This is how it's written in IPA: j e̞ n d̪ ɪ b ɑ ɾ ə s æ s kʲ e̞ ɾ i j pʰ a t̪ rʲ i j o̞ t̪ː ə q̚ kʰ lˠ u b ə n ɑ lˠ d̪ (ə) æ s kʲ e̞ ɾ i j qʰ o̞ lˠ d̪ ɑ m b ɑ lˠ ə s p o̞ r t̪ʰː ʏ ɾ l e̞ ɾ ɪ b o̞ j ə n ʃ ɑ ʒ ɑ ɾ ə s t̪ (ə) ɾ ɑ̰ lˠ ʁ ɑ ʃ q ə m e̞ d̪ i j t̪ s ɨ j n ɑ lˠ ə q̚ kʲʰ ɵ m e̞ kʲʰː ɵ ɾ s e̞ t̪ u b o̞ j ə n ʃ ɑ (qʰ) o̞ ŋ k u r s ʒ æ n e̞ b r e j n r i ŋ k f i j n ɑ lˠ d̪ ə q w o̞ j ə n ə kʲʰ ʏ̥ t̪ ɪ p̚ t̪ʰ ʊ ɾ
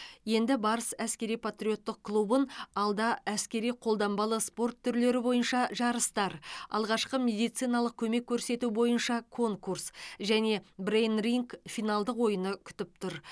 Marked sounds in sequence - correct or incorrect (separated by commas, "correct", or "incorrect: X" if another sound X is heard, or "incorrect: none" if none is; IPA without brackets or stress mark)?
incorrect: ɑ, incorrect: ɑ, incorrect: kʰ